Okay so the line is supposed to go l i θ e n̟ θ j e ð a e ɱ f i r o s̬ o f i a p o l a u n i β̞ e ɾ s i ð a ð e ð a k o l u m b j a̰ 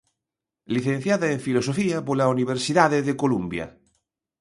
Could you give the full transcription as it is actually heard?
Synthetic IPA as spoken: l i θ e n̟ θ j a ð a e ɱ f i l o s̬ o f i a p o l a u n i β̞ e ɾ s i ð a ð e ð e k o l u m b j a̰